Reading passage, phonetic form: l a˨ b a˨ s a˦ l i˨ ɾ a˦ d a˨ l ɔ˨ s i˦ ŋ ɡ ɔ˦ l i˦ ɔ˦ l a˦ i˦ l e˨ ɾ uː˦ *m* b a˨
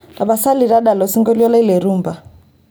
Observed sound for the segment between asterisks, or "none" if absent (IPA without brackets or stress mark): m